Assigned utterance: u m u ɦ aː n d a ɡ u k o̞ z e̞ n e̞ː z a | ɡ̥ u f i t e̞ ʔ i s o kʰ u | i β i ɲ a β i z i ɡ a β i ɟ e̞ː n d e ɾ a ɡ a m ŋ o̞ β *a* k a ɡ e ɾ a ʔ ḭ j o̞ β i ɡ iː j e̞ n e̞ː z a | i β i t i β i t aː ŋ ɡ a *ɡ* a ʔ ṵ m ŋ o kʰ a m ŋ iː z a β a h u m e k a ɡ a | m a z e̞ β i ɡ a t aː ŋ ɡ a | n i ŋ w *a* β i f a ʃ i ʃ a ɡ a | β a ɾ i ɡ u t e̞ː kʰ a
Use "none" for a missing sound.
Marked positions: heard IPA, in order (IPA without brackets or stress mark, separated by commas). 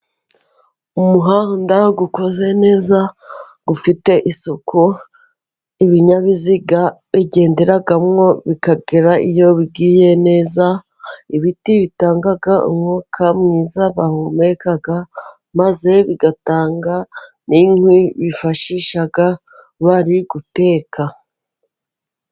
i, ɡ, i